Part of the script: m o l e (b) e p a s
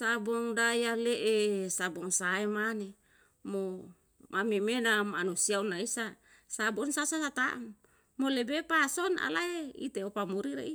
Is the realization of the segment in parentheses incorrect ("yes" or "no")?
no